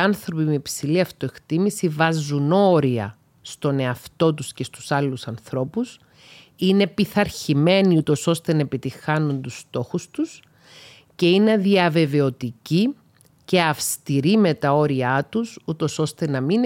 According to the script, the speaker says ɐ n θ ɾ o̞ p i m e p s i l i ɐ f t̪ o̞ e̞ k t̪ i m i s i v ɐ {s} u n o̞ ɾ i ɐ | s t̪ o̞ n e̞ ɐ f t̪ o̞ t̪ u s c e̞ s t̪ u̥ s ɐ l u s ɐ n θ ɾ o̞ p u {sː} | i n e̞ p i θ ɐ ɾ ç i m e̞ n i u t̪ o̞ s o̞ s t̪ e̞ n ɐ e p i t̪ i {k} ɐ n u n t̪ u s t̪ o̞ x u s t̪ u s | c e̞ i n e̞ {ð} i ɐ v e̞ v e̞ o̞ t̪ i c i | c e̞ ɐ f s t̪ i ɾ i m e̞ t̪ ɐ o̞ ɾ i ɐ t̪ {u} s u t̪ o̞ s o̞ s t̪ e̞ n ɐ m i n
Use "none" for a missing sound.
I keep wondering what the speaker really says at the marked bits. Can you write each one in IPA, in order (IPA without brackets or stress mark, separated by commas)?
z, s, x, ð, u